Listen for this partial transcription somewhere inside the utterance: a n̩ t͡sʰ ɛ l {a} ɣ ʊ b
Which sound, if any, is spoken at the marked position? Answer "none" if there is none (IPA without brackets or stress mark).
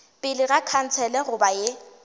ɛ